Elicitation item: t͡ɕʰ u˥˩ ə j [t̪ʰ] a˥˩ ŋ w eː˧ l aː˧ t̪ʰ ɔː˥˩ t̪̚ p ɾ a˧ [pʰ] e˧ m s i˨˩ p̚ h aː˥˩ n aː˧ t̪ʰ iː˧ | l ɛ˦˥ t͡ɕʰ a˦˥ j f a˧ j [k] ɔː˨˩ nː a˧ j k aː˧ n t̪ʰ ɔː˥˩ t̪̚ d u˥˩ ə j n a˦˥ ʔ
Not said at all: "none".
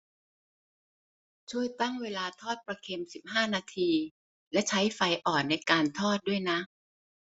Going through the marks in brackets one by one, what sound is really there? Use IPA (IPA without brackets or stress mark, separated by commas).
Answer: t̪, kʰ, ʔ